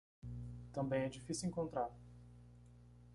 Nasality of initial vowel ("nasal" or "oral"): nasal